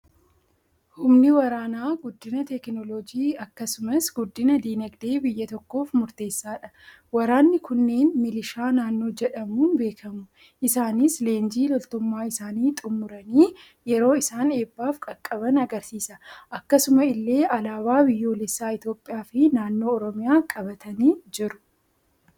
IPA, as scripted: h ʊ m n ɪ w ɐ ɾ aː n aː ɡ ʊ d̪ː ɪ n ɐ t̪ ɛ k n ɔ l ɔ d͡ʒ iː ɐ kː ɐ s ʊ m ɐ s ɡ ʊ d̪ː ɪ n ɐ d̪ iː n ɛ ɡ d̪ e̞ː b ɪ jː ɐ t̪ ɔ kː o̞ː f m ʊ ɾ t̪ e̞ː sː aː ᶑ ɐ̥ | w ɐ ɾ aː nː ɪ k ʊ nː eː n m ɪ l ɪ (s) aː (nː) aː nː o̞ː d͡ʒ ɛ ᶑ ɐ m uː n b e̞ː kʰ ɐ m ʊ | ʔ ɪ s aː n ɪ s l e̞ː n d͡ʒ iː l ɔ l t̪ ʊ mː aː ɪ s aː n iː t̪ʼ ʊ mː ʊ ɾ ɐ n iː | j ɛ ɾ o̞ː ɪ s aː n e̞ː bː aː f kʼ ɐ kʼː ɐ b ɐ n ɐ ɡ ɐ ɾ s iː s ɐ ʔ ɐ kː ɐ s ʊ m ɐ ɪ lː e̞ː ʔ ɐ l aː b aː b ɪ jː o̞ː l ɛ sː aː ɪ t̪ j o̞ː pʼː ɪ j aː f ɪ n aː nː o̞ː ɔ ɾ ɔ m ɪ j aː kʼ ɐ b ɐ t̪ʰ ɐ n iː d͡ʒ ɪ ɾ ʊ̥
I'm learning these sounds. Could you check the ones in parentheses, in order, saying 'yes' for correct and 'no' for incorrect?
no, no

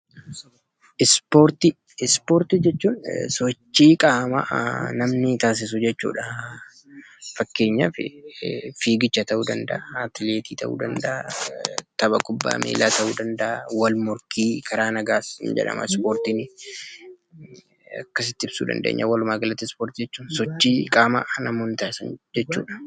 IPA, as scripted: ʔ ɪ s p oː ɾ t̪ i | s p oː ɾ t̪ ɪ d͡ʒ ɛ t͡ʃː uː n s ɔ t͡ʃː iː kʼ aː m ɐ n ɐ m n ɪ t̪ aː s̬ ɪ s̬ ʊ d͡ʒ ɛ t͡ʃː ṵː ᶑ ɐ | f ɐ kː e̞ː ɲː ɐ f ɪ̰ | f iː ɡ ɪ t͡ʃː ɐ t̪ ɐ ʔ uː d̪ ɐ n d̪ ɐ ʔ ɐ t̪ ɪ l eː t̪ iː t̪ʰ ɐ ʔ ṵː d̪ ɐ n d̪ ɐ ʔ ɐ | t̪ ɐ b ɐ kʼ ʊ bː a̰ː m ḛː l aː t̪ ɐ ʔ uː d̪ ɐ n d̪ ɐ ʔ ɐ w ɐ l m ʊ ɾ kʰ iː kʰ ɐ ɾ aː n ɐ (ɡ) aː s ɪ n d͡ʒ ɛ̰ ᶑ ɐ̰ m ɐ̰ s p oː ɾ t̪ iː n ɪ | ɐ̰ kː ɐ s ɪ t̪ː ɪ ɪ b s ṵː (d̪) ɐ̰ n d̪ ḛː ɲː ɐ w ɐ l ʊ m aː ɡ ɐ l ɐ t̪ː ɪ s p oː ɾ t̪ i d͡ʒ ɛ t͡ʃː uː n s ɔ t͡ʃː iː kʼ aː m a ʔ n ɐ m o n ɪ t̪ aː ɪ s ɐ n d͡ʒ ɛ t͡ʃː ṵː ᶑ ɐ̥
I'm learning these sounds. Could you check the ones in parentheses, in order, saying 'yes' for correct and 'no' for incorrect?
yes, yes

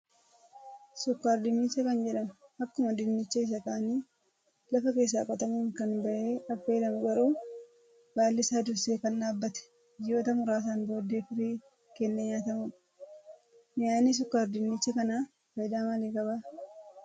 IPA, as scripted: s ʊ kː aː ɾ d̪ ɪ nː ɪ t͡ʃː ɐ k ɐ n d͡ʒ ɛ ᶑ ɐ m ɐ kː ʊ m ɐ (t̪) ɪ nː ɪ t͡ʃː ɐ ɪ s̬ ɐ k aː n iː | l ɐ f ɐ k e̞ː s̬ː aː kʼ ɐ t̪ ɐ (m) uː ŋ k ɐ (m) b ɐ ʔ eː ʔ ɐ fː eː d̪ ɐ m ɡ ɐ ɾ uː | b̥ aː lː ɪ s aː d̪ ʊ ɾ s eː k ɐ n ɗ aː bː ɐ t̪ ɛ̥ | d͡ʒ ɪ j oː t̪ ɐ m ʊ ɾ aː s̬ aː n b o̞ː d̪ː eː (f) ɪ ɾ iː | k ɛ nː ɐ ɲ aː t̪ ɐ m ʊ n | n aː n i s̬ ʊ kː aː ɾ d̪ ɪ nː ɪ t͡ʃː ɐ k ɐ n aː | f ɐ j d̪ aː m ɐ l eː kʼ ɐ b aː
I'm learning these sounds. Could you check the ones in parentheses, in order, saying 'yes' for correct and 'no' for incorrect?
no, yes, no, yes

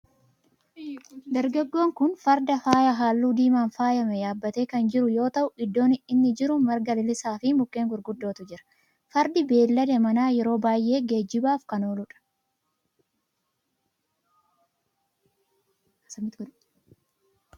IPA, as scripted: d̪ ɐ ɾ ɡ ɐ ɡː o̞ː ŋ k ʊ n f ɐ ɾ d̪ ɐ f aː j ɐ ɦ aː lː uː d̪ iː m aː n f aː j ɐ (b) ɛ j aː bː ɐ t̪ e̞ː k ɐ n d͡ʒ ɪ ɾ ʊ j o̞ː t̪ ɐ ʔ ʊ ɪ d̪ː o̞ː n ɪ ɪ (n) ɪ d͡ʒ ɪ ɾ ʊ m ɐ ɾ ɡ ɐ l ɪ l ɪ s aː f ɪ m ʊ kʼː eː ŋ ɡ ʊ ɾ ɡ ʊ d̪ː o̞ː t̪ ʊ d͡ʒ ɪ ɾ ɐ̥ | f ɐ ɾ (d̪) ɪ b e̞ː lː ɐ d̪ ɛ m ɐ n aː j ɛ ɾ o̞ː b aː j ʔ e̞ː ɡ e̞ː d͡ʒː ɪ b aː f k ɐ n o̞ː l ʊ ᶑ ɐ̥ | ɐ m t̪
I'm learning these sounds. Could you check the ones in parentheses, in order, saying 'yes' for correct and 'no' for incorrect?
no, no, yes

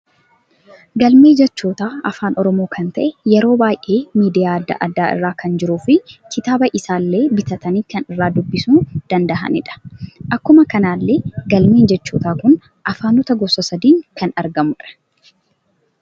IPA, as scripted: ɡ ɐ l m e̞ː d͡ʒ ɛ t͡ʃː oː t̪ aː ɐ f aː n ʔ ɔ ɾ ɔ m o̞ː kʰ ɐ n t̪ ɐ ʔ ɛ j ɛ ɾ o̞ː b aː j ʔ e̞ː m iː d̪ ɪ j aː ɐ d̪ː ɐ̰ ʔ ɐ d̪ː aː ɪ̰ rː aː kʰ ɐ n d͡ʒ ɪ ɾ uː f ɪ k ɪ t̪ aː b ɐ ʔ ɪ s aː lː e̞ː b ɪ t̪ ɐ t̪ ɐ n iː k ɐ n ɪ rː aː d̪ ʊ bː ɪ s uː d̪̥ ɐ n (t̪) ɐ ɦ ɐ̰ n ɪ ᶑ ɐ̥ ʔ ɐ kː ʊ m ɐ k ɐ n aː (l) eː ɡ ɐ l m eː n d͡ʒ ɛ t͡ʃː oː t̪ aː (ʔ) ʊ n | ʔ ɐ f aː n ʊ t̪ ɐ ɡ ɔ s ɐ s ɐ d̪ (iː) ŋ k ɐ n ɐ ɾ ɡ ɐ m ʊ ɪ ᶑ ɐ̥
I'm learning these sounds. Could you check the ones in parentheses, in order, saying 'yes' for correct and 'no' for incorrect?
no, no, no, yes

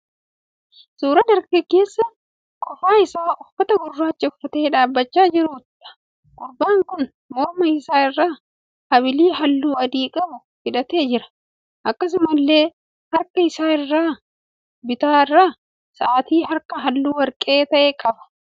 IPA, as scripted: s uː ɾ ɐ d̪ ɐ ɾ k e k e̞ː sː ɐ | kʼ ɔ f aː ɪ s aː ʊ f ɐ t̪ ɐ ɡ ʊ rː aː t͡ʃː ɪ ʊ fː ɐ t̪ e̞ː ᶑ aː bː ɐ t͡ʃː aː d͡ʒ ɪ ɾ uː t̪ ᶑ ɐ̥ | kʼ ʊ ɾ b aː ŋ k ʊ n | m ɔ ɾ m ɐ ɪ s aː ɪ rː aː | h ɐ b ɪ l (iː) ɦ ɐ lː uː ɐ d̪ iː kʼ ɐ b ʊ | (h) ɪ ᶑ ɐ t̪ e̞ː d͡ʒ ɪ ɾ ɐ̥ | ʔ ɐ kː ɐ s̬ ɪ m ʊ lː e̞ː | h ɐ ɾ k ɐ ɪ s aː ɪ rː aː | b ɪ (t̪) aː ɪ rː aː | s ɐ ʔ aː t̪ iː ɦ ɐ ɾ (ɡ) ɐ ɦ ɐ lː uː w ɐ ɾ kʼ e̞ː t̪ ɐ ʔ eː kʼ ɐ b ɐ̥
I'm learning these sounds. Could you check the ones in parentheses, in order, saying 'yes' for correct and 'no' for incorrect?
yes, no, yes, no

